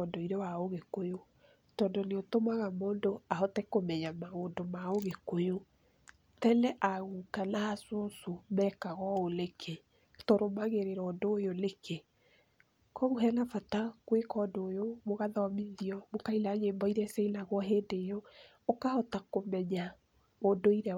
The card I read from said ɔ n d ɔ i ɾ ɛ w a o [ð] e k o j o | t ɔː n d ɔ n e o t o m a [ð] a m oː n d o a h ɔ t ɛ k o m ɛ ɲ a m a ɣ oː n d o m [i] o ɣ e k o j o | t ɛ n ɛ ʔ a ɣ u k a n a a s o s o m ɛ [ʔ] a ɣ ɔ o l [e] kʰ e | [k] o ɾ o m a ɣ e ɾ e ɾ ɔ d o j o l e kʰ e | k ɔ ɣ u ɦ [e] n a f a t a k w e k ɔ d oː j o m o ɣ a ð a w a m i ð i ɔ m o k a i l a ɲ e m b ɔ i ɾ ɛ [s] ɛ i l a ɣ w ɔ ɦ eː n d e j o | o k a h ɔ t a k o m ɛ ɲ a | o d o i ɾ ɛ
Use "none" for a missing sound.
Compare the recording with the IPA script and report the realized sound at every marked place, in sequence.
ɣ, ɣ, a, k, e, t, ɛ, s

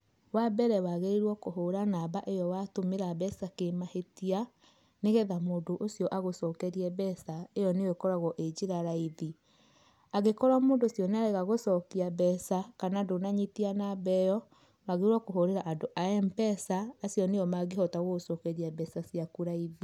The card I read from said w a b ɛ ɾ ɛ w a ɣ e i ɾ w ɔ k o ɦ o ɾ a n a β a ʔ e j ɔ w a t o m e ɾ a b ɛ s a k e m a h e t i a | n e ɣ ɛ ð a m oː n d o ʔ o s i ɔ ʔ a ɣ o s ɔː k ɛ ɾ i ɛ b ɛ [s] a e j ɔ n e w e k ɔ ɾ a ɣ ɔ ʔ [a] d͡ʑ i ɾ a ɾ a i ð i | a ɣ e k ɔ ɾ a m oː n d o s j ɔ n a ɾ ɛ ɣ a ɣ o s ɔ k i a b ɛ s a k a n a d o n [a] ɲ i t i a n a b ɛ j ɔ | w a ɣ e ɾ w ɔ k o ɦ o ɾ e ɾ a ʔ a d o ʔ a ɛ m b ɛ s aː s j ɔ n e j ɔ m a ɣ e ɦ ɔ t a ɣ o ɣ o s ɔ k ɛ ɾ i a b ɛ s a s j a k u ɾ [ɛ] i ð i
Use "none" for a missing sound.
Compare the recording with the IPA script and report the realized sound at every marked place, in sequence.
s, e, a, a

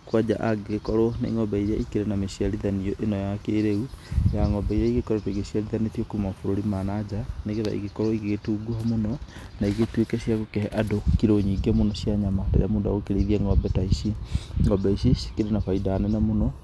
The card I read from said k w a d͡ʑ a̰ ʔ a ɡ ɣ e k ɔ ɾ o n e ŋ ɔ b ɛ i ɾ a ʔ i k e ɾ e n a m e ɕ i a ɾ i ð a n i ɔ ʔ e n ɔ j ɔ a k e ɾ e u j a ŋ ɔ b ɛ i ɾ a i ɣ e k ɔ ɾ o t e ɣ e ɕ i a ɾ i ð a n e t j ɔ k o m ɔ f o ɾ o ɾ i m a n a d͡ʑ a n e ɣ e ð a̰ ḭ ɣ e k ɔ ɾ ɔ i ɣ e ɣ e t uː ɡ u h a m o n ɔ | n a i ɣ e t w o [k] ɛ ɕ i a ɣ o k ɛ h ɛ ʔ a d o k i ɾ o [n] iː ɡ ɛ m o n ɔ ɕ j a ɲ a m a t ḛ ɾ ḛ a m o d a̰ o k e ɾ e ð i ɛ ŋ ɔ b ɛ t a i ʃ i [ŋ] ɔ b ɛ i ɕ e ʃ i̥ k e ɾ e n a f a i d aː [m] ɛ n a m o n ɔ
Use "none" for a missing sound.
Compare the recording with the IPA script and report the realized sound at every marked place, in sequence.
k, ɲ, ŋ, n

